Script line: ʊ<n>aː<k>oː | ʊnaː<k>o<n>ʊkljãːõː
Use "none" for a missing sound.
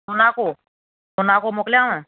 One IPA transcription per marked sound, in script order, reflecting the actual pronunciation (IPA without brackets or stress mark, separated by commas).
n, k, k, m